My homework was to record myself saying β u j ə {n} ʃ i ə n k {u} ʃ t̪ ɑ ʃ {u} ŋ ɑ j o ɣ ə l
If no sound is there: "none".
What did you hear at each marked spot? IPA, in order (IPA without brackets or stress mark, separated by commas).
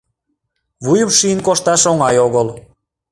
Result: m, o, o